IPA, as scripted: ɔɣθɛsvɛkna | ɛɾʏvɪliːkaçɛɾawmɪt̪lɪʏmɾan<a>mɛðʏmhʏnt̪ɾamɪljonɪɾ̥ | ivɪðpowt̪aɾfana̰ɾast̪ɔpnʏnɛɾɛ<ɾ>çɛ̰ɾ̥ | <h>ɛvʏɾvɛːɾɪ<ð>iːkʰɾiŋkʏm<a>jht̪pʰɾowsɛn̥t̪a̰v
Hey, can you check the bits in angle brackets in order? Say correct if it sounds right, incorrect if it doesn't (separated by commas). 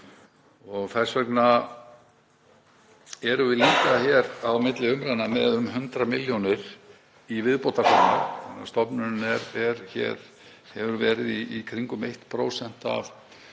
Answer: correct, correct, correct, correct, incorrect